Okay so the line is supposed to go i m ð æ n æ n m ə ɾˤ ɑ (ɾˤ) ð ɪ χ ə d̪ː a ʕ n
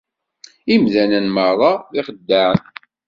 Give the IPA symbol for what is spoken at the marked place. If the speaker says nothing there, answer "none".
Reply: none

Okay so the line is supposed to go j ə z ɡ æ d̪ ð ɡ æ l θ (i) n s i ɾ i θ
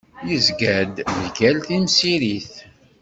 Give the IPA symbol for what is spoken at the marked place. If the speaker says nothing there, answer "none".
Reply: i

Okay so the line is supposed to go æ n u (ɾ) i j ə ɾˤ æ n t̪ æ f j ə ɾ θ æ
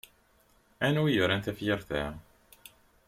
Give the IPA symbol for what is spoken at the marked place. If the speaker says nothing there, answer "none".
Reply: none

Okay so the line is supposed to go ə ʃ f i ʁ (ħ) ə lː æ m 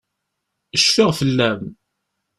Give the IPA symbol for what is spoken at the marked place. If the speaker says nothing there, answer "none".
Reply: f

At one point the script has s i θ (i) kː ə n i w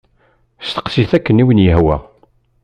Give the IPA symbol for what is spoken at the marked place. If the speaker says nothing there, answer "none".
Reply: æ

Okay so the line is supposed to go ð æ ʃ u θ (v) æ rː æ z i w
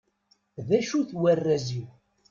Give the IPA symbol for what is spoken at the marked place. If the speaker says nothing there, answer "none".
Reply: w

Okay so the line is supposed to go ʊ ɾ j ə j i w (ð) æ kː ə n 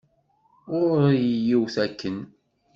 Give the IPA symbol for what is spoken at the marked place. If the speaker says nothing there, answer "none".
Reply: θ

